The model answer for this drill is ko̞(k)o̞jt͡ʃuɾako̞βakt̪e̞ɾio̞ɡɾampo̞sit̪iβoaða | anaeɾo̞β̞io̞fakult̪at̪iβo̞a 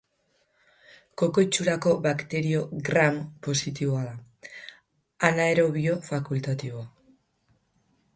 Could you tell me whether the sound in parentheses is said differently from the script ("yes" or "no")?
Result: no